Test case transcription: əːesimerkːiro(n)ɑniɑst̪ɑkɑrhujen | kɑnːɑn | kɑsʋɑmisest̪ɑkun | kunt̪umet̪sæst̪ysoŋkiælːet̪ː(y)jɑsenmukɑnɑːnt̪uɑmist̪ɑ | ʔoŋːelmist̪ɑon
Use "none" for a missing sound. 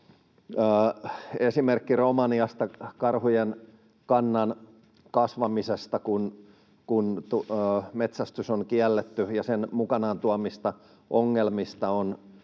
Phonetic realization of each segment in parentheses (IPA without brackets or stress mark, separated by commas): m, y